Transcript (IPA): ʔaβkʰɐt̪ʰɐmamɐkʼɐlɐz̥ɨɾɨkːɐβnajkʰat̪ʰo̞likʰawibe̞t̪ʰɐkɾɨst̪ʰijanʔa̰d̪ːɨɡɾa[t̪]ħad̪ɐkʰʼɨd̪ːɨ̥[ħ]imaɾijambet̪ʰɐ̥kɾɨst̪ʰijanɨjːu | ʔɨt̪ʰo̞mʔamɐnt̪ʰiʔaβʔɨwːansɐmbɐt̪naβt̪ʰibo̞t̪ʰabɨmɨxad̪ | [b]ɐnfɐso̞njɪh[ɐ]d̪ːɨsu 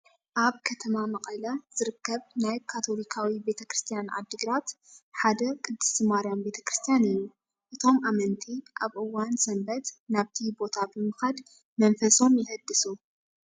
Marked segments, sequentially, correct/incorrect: correct, incorrect: s, incorrect: m, correct

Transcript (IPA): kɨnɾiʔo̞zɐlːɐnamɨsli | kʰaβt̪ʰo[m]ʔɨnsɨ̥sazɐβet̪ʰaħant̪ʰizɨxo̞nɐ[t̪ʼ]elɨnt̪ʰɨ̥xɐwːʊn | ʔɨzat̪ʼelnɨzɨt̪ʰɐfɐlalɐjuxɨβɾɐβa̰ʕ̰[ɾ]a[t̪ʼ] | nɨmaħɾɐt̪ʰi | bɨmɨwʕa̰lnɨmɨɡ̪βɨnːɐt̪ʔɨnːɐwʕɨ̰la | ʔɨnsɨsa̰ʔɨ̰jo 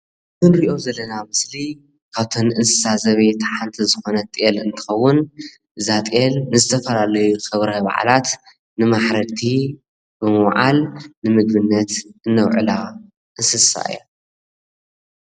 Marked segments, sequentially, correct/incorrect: incorrect: n, correct, incorrect: l, incorrect: t̪

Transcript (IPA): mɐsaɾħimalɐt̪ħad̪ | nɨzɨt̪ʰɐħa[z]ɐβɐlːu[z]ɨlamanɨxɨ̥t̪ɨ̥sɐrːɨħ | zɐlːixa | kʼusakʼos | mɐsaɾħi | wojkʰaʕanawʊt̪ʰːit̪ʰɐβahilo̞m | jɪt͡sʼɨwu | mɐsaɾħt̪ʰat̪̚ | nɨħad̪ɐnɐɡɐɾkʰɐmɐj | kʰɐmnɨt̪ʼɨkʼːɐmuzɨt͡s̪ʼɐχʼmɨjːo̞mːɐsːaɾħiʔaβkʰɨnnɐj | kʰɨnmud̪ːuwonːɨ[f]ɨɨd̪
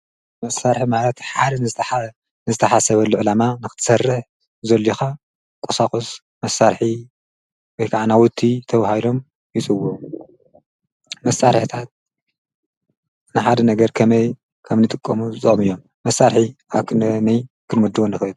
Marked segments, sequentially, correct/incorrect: incorrect: s, incorrect: ʕ, incorrect: x

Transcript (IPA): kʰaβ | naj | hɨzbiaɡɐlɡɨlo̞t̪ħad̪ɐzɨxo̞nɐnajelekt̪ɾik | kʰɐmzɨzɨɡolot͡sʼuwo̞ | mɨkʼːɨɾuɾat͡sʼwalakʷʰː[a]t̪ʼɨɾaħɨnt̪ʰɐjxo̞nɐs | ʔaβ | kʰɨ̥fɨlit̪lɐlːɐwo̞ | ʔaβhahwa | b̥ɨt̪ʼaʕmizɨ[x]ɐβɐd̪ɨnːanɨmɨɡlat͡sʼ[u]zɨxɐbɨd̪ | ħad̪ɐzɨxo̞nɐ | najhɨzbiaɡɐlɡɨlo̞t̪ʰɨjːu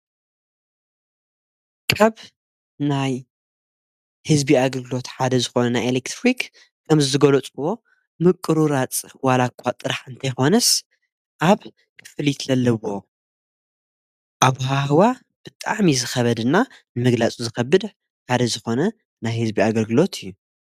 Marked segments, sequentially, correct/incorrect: correct, correct, correct

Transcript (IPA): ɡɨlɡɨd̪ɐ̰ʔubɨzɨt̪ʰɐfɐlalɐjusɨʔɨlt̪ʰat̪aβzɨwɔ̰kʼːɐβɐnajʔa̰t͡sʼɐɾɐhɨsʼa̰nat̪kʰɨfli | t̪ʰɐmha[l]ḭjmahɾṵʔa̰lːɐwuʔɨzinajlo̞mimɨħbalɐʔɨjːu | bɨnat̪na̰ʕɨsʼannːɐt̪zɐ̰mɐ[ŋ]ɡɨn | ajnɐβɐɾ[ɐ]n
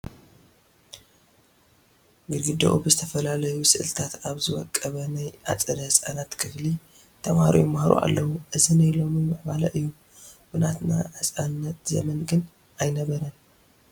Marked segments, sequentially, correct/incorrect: incorrect: ɾ, incorrect: n, correct

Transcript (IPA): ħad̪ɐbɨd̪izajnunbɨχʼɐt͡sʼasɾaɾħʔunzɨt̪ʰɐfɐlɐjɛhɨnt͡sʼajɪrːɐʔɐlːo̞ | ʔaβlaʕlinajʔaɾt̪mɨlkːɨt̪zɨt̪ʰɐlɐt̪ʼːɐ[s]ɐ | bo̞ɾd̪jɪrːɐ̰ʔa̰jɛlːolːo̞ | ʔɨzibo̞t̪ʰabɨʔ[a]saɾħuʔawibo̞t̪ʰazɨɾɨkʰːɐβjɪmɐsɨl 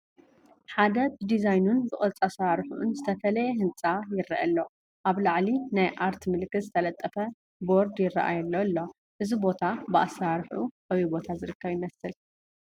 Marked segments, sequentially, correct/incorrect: incorrect: f, correct

